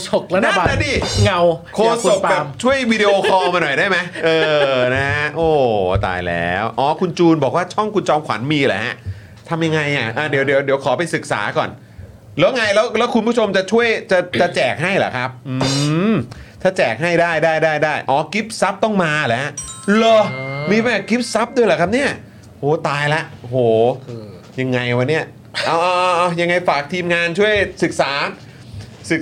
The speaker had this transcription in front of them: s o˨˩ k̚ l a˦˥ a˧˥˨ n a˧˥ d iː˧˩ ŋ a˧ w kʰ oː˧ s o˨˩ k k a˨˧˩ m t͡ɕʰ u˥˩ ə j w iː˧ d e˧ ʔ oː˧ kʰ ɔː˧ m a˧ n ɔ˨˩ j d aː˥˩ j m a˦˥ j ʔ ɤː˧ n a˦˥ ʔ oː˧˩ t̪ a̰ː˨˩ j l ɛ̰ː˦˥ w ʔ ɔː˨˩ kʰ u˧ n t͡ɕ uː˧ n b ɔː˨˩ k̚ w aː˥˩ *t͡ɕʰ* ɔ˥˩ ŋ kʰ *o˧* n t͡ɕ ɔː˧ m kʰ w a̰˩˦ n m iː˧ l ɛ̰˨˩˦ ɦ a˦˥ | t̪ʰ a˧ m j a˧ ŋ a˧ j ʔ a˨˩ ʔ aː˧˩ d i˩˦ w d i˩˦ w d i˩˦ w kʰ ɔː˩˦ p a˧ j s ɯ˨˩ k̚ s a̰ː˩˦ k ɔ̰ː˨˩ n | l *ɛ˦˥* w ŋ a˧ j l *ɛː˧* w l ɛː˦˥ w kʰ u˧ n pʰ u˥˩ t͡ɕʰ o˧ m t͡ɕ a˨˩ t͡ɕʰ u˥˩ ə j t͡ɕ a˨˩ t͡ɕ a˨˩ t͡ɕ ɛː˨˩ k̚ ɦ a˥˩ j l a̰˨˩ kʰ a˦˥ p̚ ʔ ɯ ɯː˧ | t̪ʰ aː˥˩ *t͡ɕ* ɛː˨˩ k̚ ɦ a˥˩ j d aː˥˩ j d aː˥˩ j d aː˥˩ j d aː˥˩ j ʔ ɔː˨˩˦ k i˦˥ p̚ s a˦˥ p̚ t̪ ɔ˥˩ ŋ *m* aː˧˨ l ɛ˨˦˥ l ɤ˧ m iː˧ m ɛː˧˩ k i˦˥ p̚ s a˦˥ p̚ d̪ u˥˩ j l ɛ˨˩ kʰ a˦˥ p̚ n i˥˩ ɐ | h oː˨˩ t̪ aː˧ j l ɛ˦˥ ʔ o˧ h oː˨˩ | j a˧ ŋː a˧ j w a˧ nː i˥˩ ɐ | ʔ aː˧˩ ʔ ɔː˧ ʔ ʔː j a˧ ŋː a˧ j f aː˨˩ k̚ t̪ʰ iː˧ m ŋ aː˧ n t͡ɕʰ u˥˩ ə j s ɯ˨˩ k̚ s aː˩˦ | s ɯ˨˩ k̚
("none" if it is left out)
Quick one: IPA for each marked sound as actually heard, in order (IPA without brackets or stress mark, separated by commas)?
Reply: t͡ɕʰ, u˧, ɛː˦˥, ɛː˦˥, t͡ɕ, m